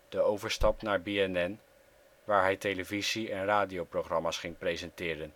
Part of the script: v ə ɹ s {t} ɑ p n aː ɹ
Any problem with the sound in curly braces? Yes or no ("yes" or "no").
no